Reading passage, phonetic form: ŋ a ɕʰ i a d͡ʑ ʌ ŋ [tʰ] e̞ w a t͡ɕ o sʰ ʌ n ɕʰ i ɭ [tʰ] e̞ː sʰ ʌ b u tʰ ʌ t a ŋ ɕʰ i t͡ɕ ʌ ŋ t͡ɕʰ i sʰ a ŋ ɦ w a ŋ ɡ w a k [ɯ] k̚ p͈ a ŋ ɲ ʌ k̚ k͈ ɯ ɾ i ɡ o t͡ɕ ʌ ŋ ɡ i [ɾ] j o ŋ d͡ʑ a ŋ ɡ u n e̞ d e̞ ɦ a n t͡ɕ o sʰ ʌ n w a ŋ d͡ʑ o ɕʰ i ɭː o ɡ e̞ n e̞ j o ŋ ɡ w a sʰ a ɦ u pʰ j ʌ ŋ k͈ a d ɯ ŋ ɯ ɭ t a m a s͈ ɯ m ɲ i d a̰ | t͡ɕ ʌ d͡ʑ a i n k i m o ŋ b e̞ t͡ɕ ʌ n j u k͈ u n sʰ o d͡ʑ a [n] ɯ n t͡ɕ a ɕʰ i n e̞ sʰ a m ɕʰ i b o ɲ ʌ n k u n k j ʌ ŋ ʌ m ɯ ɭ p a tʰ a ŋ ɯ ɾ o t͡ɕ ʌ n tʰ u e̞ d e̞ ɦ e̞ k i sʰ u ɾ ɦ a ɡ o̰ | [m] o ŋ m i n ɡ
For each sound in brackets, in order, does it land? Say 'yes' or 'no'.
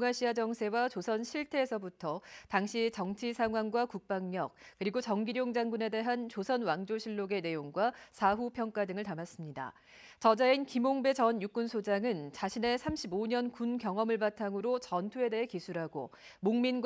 no, yes, no, yes, no, yes

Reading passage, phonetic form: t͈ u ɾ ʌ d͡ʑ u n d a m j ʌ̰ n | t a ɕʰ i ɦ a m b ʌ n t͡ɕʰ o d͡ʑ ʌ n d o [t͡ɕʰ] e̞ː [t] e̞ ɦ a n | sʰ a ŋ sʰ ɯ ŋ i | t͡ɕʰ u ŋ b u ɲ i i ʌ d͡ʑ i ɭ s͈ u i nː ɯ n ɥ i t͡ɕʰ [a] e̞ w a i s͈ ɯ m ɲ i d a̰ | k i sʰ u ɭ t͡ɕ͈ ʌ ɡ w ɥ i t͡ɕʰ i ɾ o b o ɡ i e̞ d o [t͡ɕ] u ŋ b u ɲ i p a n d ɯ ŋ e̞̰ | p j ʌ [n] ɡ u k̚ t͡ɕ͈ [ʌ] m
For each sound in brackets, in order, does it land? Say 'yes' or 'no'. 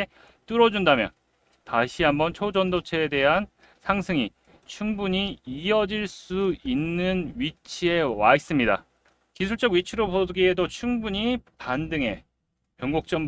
yes, no, no, no, no, yes

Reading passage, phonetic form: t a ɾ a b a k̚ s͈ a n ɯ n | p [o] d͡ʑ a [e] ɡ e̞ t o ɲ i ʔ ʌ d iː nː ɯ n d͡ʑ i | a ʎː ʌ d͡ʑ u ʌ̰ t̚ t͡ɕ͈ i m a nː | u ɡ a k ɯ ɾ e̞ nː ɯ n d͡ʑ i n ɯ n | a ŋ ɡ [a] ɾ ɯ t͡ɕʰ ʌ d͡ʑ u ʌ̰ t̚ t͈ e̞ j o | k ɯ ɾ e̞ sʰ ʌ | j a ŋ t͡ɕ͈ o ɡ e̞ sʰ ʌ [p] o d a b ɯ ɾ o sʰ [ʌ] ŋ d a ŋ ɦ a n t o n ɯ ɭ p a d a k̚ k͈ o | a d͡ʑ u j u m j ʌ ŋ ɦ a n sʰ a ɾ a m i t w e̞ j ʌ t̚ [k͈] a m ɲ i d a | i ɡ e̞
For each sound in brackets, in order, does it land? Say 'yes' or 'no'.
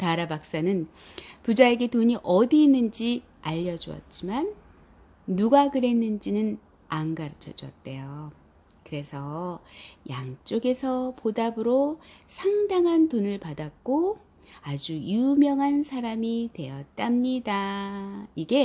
no, yes, yes, yes, no, no

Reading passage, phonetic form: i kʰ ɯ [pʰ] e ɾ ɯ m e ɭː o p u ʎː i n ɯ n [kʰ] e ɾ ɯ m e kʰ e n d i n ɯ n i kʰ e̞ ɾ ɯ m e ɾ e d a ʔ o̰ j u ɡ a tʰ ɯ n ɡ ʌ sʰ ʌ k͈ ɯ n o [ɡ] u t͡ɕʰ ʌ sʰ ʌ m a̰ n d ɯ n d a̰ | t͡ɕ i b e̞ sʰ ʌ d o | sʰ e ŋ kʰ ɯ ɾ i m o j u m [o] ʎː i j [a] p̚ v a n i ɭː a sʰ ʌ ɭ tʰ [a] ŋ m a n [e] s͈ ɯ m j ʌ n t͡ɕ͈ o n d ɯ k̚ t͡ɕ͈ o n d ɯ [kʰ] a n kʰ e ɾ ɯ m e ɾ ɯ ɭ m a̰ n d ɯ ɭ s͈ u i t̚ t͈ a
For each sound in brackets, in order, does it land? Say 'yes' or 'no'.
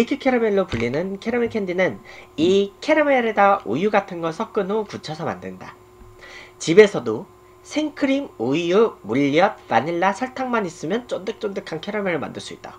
no, yes, no, no, no, yes, no, yes

